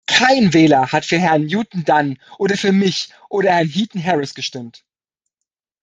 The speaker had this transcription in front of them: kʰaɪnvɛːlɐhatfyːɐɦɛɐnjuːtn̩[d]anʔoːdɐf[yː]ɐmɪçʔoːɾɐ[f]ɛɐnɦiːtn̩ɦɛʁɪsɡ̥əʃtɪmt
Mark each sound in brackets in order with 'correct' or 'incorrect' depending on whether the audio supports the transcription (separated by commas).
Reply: correct, correct, incorrect